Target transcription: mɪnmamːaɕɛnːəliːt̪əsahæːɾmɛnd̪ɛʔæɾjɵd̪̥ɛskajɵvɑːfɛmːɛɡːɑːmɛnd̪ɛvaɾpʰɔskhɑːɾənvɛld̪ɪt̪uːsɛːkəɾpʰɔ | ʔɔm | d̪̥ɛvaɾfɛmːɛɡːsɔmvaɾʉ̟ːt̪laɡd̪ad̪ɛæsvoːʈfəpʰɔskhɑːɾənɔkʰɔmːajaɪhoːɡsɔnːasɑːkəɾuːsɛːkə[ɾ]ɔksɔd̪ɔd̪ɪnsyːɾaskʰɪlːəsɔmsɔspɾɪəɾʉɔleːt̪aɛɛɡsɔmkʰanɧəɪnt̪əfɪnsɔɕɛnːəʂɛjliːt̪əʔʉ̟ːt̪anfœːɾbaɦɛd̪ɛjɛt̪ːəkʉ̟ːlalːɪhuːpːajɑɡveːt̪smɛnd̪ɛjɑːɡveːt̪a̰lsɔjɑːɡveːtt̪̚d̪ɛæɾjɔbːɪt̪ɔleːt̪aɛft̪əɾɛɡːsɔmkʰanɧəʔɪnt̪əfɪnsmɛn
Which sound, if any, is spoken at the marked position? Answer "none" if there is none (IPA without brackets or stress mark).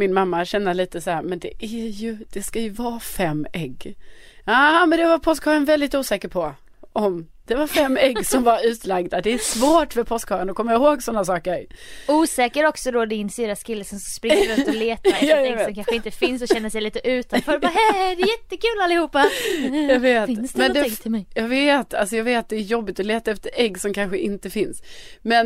ɾ